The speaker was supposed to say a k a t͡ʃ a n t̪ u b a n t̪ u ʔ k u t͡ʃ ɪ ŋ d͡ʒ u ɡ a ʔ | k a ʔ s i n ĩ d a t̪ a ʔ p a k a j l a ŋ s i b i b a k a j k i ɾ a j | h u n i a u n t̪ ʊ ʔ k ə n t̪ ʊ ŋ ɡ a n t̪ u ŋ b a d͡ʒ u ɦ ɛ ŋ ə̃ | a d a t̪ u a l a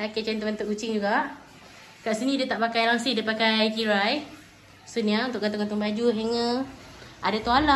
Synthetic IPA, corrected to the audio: a k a t͡ʃ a n t̪ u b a n t̪ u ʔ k u t͡ʃ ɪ ŋ d͡ʒ u ɡ a ʔ | k a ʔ s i n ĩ d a t̪ a ʔ p a k a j l a ŋ s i d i p a k a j k i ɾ a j | s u n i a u n t̪ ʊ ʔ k a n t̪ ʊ ŋ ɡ a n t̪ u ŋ b a d͡ʒ u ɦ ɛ ŋ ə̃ | a d a t̪ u a l a